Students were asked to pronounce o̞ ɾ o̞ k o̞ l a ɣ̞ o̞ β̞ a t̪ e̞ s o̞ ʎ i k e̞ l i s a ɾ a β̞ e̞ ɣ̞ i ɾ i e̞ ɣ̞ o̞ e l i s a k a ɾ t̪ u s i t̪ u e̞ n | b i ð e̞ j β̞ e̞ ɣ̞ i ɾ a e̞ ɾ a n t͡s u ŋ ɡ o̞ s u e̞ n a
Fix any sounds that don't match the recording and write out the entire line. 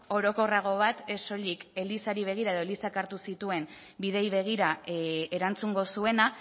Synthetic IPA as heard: o̞ ɾ o̞ k o̞ r a ɣ̞ o̞ β̞ a t̪ e̞ s o̞ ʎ i k e̞ l i s a ɾ i β̞ e̞ ɣ̞ i ɾ a e̞ ð̞ o̞ e l i s a k a ɾ t̪ u s i t̪ u e̞ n | b i ð e̞ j β̞ e̞ ɣ̞ i ɾ a e̞ ɾ a n t͡s u ŋ ɡ o̞ s u e̞ n a